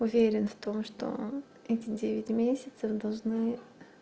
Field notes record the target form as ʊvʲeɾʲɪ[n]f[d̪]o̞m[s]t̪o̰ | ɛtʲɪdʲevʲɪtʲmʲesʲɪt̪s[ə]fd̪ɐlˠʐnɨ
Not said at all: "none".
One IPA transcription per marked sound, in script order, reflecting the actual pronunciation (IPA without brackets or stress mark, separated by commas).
n, t̪, ʂ, ə